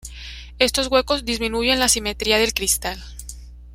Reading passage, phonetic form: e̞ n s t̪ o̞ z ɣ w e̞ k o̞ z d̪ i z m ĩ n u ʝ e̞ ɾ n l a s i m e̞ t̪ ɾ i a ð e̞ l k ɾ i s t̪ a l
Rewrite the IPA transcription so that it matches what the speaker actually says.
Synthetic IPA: e̞ s t̪ o̞ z ɣ w e̞ k o̞ z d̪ i z m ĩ n u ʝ e̞ n l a s i m e̞ t̪ ɾ i a ð e̞ l k ɾ i s t̪ a l